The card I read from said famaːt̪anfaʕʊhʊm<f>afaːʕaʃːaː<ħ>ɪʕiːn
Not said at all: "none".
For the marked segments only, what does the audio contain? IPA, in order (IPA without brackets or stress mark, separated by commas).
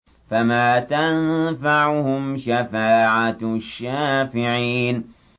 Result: ʃ, f